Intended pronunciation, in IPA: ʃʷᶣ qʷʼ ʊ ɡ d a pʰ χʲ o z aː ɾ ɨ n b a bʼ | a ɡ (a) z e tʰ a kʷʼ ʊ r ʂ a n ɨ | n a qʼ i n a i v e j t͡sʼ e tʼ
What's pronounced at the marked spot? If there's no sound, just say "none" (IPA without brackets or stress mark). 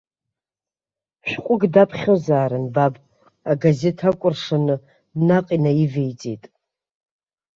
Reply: a